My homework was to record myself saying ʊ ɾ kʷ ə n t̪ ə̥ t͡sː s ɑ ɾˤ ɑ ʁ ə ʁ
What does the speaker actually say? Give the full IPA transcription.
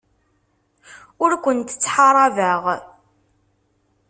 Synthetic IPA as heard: ʊ ɾ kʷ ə n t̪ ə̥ t͡sː ħ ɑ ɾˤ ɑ v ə ʁ